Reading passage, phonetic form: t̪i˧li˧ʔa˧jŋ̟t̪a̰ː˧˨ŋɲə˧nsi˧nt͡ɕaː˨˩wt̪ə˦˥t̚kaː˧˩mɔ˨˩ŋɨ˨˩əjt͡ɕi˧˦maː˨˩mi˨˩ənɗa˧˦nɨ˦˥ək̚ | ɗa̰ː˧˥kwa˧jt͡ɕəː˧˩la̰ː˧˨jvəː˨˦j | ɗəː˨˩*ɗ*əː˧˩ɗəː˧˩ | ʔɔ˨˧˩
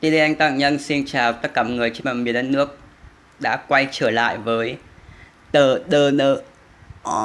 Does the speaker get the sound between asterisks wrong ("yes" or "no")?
no